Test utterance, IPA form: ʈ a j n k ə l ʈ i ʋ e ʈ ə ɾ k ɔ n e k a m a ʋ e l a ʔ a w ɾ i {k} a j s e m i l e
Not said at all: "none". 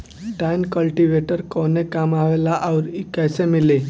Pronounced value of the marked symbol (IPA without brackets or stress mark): k